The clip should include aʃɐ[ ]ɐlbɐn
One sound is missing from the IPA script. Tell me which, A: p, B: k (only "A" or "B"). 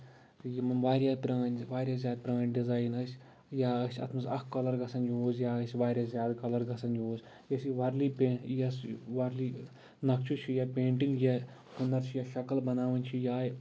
B